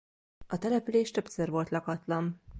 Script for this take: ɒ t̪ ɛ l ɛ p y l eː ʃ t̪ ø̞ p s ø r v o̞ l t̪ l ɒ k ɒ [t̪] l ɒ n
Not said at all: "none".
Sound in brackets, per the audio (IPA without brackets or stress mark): t̪